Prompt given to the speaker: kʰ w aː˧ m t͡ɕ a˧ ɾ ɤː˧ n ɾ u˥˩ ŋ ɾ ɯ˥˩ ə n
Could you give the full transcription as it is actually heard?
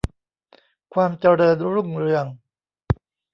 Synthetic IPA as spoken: kʰ w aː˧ m t͡ɕ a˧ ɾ ɤː˧ n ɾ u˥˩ ŋ ɾ ɯ˧ ə ŋ

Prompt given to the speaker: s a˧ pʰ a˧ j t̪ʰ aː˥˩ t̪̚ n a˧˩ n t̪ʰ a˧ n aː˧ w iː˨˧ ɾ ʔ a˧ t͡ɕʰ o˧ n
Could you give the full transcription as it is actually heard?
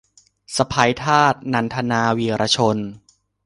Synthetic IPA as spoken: s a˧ pʰ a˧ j t̪ʰ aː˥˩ t̪̚ n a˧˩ n t̪ʰ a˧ n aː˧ w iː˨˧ ɾ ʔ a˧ t͡ɕʰ o˧ n

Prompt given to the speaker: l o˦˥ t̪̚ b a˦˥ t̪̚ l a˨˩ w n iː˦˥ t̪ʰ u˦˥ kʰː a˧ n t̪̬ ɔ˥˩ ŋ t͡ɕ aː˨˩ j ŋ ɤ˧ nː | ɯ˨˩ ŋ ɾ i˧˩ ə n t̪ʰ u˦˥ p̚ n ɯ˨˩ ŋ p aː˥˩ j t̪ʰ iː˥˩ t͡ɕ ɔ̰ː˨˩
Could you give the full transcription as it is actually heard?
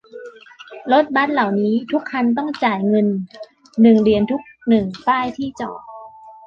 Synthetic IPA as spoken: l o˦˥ t̪̚ b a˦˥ t̪̚ l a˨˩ w n iː˦˥ t̪ʰ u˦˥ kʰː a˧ n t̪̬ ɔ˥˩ ŋ t͡ɕ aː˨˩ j ŋ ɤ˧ nː | ɯ˨˩ ŋ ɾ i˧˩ ə n t̪ʰ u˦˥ k̚ n ɯ˨˩ ŋ p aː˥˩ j t̪ʰ iː˥˩ t͡ɕ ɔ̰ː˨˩

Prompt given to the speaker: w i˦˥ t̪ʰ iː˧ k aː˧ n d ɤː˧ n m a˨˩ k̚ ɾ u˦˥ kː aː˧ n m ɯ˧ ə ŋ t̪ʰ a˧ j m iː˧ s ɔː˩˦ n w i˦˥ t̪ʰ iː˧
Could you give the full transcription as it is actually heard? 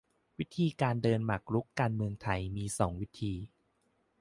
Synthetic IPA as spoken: w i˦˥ t̪ʰ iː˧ k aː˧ n d ɤː˧ n m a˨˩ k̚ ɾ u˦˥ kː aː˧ n m ɯ˧ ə ŋ t̪ʰ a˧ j m iː˧ s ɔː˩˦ ŋ w i˦˥ t̪ʰ iː˧

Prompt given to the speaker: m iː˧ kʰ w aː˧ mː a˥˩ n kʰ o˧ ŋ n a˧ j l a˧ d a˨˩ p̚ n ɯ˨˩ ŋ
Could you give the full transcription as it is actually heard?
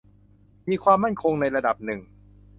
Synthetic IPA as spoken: m iː˧ kʰ w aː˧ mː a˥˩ n kʰ o˧ ŋ n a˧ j ɾ a˧ d a˨˩ p̚ n ɯ˨˩ ŋ

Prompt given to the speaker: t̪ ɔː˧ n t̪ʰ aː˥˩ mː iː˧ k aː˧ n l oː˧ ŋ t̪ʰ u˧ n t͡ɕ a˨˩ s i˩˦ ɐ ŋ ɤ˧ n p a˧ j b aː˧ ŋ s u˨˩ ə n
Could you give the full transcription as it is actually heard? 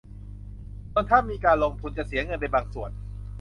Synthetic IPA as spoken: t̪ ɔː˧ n t̪ʰ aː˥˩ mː iː˧ k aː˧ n l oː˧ ŋ t̪ʰ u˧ n t͡ɕ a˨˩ s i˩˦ ɐ ŋ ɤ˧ n p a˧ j b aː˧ ŋ s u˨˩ ə n

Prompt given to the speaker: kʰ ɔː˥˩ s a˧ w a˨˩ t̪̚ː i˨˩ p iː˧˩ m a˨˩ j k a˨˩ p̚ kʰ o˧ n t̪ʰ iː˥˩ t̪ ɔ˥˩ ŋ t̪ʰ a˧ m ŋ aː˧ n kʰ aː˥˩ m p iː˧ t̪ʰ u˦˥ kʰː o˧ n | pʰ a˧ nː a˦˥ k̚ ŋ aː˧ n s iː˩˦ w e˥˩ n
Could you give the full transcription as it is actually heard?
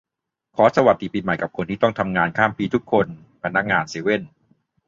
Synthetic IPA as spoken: kʰ ɔː˩˦ s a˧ w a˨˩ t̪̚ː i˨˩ p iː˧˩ m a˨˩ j k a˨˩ p̚ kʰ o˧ n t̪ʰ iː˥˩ t̪ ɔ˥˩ ŋ t̪ʰ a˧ m ŋ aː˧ n kʰ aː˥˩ m p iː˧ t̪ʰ u˦˥ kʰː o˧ n | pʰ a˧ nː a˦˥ k̚ ŋ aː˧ n s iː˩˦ w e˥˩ n

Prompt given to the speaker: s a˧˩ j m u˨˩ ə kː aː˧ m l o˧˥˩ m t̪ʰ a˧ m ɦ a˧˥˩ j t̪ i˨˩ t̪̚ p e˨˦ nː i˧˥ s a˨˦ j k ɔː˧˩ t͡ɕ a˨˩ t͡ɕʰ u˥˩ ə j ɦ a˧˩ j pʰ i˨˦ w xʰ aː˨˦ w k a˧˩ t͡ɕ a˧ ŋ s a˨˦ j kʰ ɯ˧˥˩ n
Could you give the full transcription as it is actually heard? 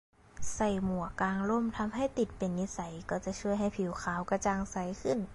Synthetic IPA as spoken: s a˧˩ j m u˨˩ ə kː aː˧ ŋ l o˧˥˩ m t̪ʰ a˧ m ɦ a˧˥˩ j t̪ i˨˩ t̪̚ p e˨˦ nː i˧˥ s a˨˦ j k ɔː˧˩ t͡ɕ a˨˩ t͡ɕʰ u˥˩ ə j ɦ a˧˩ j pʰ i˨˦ w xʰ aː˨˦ w k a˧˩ t͡ɕ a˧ ŋ s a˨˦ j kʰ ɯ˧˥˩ n

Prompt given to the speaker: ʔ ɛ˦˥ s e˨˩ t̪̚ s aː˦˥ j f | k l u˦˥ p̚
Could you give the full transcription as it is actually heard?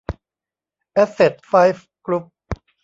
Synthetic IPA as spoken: ʔ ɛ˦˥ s e˨˩ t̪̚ f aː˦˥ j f | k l u˦˥ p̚

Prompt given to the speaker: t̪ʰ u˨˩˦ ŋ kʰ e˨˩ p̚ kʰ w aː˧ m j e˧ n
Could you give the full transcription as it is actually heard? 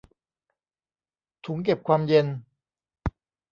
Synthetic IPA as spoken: t̪ʰ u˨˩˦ ŋ k e˨˩ p̚ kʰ w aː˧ m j e˧ n

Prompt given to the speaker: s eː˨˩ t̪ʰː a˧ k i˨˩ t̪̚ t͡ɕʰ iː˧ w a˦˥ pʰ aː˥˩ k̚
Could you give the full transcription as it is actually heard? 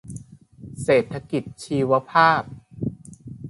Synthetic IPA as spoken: s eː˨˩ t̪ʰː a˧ k i˨˩ t̪̚ t͡ɕʰ iː˧ w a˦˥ pʰ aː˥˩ p̚

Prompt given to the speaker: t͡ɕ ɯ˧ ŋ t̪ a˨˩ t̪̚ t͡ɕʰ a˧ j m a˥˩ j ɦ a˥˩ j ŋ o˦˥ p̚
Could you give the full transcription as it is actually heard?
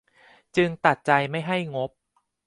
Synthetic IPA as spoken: t͡ɕ ɯ˧ ŋ t̪ a˨˩ t̪̚ t͡ɕ a˧ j m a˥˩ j ɦ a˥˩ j ŋ o˦˥ p̚

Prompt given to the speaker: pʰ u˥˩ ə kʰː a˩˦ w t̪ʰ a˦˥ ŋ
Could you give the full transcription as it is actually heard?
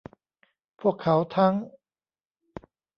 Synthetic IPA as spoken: pʰ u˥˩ ə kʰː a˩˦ w t̪ʰ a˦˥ ŋ

